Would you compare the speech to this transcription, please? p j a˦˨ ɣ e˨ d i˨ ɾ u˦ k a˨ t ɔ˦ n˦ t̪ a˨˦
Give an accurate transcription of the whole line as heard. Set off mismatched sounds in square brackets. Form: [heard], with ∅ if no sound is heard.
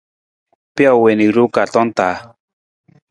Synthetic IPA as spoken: p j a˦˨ [w] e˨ [n] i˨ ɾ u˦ k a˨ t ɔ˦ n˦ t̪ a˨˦